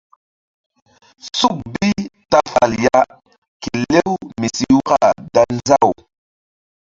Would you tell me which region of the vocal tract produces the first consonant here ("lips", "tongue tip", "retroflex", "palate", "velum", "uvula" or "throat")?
tongue tip